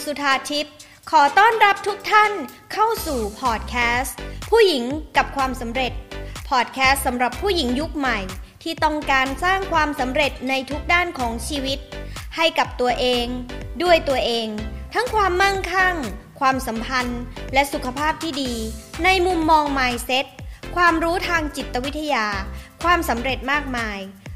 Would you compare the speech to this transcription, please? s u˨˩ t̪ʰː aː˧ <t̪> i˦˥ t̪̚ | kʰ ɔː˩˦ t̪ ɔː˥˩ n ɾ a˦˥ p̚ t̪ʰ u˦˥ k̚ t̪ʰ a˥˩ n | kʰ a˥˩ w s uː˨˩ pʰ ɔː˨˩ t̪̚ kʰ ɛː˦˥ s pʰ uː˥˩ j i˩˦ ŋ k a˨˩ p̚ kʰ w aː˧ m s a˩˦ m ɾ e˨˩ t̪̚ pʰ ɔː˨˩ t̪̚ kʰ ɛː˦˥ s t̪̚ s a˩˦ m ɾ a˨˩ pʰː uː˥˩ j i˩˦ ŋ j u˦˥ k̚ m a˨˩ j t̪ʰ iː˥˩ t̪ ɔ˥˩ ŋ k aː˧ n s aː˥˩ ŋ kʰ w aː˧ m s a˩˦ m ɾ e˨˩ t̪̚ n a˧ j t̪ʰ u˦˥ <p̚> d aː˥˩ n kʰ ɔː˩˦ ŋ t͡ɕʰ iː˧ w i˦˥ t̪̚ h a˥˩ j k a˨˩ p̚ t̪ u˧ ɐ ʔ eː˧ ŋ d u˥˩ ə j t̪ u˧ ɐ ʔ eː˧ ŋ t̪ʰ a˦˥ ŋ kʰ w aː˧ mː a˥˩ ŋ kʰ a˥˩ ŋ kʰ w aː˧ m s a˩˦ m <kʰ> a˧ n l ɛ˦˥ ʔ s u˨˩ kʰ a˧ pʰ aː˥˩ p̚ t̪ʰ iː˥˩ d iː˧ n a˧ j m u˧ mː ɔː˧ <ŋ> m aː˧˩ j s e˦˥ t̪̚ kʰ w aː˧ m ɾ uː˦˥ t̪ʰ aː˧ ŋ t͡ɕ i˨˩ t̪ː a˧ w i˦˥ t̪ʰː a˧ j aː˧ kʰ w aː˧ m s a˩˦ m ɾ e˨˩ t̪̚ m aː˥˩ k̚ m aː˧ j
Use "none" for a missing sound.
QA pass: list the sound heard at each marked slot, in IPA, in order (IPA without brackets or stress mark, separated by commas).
t̪ʰ, k̚, pʰ, ŋ